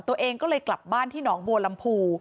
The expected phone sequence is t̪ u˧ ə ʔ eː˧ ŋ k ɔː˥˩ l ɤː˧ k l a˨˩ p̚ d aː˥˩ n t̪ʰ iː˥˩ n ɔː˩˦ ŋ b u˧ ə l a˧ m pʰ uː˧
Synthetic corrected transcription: t̪ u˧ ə ʔ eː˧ ŋ k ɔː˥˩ l ɤː˧ k l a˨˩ p̚ b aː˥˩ n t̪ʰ iː˥˩ n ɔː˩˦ ŋ b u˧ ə l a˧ m pʰ uː˧